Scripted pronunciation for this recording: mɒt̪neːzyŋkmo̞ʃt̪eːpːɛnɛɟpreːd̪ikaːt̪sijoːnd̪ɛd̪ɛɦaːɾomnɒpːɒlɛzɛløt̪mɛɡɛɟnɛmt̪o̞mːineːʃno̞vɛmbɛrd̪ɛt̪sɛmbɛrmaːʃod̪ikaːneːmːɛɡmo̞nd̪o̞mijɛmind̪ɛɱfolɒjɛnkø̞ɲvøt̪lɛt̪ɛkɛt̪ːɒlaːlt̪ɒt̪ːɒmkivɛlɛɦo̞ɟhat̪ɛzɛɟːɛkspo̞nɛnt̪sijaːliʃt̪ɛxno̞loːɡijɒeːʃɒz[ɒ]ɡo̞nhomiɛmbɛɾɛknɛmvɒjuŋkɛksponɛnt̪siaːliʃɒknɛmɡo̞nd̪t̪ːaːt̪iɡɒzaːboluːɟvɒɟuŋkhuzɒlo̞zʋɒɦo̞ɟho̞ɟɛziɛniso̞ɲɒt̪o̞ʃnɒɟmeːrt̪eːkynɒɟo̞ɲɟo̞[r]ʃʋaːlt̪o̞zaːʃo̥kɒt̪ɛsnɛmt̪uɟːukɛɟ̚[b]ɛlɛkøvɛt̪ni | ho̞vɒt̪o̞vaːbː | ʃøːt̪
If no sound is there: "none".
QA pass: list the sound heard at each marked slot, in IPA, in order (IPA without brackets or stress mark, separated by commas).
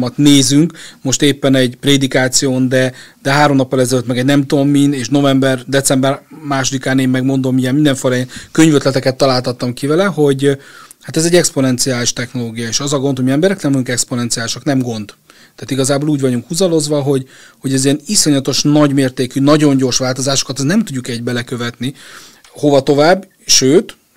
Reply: ɒ, r, b